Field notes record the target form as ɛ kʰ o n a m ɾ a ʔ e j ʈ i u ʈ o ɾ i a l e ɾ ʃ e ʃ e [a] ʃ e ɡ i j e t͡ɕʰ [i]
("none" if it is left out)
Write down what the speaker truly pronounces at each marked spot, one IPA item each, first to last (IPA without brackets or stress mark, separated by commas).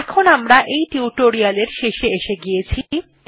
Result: e, i